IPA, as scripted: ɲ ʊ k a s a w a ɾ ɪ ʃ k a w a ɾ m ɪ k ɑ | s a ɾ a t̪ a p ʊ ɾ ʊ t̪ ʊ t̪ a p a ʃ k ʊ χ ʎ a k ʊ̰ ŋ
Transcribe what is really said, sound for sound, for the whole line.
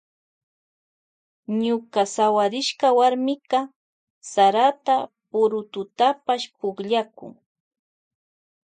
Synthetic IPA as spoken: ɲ ʊ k a s a w a ɾ ɪ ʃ k a w a ɾ m ɪ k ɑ | s a ɾ a t̪ a p ʊ ɾ ʊ t̪ ʊ t̪ a p a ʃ p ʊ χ ʎ a k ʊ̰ ŋ